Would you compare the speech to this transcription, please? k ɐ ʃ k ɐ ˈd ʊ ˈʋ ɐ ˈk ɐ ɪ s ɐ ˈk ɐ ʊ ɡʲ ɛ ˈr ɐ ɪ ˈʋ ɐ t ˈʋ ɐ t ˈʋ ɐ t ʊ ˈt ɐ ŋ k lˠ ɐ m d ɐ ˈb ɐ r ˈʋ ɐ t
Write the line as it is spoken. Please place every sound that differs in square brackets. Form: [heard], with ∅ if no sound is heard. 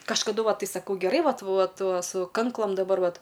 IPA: k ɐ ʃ k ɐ ˈd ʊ ˈʋ ɐ [ˈt] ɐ ɪ s ɐ ˈk ɐ ʊ ɡʲ ɛ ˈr ɐ ɪ ˈʋ ɐ t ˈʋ ɐ t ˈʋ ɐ [s] ʊ [ˈk] ɐ ŋ k lˠ ɐ m d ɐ ˈb ɐ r ˈʋ ɐ t